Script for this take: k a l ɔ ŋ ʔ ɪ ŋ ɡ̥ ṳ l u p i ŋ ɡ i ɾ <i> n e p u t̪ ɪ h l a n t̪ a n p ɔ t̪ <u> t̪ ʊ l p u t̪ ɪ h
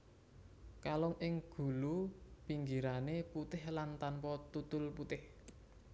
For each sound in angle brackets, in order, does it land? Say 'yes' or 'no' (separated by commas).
no, yes